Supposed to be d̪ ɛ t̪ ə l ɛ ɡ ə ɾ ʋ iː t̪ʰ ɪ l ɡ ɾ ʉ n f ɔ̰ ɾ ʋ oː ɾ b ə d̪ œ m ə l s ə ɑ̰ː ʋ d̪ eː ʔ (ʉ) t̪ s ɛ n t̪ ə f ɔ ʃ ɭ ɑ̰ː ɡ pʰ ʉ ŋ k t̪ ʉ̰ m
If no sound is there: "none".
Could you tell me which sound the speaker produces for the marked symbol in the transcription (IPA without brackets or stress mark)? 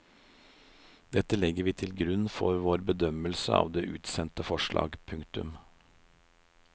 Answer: ʉː